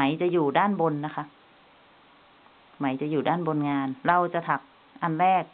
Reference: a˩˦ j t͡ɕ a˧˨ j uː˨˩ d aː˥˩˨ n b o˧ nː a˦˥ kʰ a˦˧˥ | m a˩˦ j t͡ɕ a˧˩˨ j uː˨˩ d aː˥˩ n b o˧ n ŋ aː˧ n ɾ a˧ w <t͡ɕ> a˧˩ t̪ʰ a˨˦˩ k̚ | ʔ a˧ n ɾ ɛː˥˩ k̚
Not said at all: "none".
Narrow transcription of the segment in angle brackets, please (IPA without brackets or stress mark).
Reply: t͡ɕ